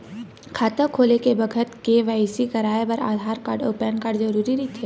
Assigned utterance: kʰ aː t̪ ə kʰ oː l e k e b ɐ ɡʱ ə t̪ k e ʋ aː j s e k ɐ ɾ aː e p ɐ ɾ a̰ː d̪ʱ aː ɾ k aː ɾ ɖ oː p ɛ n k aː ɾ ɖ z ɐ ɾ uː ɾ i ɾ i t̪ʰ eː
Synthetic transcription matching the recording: kʰ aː t̪ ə kʰ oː l e k e b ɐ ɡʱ ə t̪ k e ʋ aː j s i k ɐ ɾ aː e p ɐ ɾ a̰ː d̪ʱ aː ɾ k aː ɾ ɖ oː p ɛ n k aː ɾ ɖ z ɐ ɾ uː ɾ i ɾ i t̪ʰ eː